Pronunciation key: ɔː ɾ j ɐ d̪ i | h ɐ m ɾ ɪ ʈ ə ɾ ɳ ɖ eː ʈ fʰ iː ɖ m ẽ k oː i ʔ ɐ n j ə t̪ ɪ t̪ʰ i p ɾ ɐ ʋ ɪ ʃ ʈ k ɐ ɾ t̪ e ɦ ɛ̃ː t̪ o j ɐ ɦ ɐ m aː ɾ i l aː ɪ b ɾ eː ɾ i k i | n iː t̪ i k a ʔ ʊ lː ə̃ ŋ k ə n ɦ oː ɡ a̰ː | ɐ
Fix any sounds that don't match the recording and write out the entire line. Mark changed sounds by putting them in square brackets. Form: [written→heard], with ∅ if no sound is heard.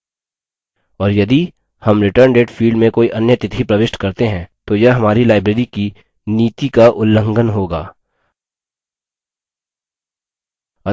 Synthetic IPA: ɔː ɾ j ɐ d̪ i | h ɐ m ɾ ɪ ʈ ə ɾ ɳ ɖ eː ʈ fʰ iː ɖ m ẽ k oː i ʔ ɐ n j ə t̪ ɪ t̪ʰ i p ɾ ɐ ʋ ɪ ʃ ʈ k ɐ ɾ t̪ e ɦ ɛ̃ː t̪ o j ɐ ɦ ɐ m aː ɾ i l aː ɪ b ɾ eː ɾ i k i | n iː t̪ i k a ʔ ʊ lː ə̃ ŋ [k→ɡ] ə n ɦ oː ɡ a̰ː | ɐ

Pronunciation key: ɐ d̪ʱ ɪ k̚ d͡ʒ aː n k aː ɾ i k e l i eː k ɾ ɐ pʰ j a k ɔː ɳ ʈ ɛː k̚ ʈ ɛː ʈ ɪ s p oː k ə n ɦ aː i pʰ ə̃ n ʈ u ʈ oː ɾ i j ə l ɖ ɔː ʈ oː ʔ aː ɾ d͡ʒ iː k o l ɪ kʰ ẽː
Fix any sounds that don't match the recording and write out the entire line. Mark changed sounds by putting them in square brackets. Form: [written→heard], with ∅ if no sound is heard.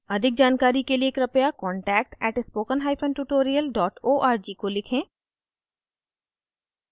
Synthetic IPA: ɐ d̪ʱ ɪ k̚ d͡ʒ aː n k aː ɾ i k e l i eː k ɾ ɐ [pʰ→p] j a k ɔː ɳ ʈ ɛː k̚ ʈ ɛː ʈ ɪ s p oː k ə n ɦ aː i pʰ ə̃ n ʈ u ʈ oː ɾ i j ə l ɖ ɔː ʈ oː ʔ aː ɾ d͡ʒ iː k o l ɪ kʰ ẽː

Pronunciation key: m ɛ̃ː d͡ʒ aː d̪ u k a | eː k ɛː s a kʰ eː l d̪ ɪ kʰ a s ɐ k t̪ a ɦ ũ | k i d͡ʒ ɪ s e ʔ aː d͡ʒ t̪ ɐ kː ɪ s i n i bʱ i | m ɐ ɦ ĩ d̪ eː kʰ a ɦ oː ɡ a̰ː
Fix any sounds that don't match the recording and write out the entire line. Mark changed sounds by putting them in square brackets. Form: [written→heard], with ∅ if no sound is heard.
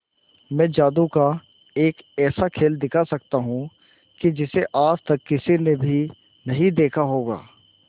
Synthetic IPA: m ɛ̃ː d͡ʒ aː d̪ u k a | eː k ɛː s a kʰ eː l d̪ ɪ kʰ a s ɐ k t̪ a ɦ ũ | k i d͡ʒ ɪ s e ʔ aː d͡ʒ t̪ ɐ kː ɪ s i n [i→e] bʱ i | [m→n] ɐ ɦ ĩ d̪ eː kʰ a ɦ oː ɡ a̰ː

